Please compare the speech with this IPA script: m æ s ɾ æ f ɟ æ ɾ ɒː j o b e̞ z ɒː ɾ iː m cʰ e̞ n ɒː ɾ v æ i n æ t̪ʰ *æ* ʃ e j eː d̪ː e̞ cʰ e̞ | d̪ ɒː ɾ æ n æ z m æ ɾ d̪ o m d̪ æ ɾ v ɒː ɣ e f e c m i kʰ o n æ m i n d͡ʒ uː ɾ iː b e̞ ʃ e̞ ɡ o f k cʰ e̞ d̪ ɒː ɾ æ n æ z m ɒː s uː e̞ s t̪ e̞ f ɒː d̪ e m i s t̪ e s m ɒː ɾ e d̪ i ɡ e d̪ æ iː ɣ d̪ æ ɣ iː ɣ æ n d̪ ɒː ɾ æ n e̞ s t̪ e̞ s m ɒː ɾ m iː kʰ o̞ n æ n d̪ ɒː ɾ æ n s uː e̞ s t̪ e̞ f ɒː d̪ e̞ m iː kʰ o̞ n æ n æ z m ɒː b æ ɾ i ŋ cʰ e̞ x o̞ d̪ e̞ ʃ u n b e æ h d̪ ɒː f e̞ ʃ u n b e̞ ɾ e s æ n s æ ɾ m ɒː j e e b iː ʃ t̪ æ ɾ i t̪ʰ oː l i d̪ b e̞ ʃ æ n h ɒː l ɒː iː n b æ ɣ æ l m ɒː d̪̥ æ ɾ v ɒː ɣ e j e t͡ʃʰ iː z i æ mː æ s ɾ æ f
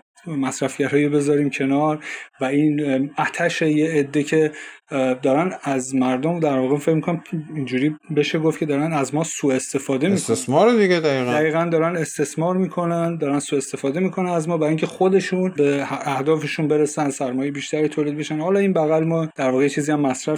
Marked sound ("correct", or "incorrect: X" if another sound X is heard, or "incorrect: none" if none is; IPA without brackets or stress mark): correct